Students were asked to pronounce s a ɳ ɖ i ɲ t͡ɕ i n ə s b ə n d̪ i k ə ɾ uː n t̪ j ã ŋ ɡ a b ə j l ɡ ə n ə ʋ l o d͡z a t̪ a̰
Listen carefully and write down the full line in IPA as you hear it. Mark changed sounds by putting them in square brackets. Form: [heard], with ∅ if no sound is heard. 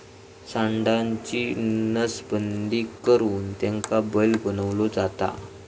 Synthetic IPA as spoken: s a ɳ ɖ [a] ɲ t͡ɕ i n ə s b ə n d̪ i k ə ɾ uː n t̪ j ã ŋ [k] a b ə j l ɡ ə n ə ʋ l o d͡z a t̪ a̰